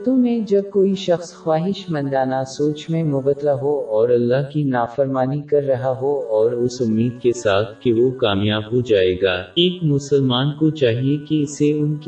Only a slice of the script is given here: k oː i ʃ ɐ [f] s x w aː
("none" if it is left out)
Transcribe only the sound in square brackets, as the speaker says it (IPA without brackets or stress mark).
x